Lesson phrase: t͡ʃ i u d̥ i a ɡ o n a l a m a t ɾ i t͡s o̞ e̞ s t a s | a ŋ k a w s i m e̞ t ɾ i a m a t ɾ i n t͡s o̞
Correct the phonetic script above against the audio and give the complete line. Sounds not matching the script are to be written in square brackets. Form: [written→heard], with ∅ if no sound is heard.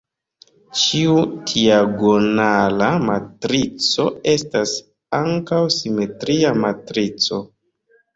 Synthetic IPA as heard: t͡ʃ i u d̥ i a ɡ o n a l a m a t ɾ i t͡s o̞ e̞ s t a s | a ŋ k a w s i m e̞ t ɾ i a m a t ɾ i [n→∅] t͡s o̞